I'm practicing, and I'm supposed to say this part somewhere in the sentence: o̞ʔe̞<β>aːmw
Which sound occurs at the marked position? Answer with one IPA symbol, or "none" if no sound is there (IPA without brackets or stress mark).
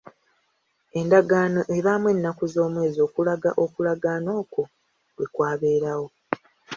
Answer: β